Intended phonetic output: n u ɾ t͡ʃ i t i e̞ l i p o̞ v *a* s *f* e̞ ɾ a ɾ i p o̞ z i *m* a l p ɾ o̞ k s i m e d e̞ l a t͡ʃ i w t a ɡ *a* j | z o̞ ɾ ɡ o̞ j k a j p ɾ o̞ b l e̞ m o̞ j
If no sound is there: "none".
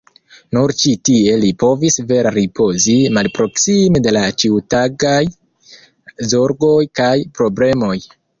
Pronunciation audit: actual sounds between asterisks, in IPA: i, v, m, a

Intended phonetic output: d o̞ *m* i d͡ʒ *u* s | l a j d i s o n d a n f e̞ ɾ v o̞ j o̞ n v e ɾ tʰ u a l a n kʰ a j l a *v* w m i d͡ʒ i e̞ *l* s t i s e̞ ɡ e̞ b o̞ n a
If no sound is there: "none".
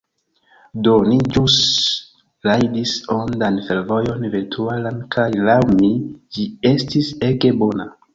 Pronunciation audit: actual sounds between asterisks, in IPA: n, u, none, none

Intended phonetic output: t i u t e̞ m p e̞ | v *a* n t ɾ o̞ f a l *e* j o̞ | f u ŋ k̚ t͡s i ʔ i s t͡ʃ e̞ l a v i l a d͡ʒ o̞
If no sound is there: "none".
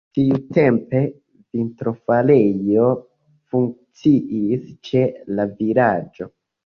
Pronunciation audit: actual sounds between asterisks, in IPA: i, e

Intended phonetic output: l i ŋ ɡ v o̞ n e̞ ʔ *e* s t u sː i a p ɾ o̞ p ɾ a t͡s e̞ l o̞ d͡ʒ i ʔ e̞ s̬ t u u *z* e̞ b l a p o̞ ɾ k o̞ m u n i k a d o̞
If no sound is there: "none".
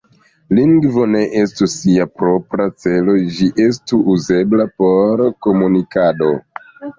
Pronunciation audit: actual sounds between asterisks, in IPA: e, z

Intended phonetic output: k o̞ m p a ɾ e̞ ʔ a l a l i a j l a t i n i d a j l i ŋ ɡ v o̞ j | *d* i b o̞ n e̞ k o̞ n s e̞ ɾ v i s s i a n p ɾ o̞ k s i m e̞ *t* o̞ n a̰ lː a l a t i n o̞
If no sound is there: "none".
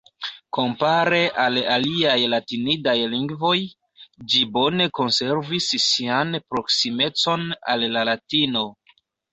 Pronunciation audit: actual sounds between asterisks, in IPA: d͡ʒ, t͡s

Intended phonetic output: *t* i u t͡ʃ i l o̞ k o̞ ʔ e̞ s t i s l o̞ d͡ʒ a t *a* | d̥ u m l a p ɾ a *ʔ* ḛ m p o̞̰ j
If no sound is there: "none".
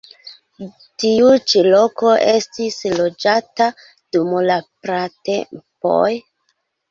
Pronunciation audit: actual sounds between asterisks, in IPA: t, a, t

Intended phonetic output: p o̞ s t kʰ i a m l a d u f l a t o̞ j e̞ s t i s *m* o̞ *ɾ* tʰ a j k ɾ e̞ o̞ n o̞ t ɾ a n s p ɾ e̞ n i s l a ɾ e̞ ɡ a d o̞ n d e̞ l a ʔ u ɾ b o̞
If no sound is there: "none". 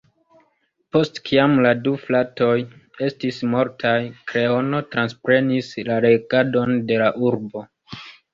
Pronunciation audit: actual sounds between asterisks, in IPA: m, ɾ

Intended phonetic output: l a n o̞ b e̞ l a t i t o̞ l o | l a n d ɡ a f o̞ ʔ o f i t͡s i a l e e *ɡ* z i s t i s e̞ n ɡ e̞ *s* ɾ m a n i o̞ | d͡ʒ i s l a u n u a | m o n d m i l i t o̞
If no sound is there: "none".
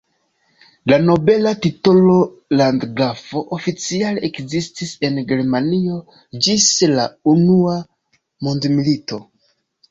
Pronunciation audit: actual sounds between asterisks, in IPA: k, none

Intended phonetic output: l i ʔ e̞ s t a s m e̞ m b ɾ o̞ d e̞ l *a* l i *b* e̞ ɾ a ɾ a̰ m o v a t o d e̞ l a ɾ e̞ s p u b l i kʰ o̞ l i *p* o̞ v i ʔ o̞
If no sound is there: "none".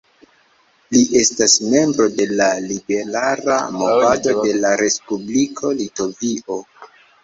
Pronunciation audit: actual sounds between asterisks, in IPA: a, b, t

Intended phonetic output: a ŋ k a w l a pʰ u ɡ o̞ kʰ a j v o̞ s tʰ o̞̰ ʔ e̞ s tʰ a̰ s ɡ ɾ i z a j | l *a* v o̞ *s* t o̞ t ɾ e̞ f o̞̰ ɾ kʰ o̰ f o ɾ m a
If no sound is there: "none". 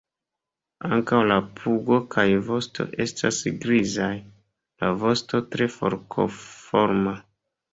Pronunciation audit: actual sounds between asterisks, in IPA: a, s

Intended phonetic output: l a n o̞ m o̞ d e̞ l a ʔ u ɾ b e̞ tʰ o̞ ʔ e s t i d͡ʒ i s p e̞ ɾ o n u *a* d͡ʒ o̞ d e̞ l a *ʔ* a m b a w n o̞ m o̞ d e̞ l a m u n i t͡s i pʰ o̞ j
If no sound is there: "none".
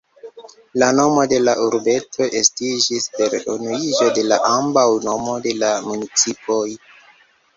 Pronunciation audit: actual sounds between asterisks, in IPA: i, ʔ

